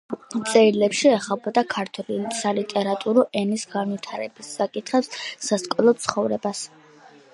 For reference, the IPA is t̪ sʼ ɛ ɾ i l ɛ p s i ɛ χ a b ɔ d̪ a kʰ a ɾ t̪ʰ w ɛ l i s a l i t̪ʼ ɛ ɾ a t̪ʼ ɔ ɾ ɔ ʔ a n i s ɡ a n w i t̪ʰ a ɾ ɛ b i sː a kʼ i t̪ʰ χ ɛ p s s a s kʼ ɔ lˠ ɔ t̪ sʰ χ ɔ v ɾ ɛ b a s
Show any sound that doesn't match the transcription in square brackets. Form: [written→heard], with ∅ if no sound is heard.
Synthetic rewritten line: t̪ sʼ ɛ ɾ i l ɛ p [s→ʃ] i ɛ χ a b ɔ d̪ a kʰ a ɾ t̪ʰ w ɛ l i s a l i t̪ʼ ɛ ɾ a t̪ʼ [ɔ→u] ɾ ɔ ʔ [a→ɛ] n i s ɡ a n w i t̪ʰ a ɾ ɛ b i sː a kʼ i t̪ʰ χ ɛ p s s a s kʼ ɔ lˠ ɔ t̪ sʰ χ ɔ v ɾ ɛ b a s